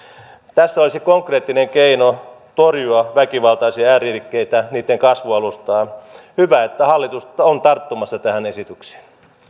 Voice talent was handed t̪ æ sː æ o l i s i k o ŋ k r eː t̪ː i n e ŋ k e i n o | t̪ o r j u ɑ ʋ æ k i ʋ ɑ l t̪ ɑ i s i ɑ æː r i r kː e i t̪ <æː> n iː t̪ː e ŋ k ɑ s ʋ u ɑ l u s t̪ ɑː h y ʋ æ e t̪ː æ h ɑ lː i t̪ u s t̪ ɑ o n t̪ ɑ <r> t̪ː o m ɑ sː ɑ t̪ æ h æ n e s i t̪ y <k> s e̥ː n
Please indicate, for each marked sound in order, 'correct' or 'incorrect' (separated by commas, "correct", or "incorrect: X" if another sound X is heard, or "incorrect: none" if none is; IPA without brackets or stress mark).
incorrect: æ, correct, correct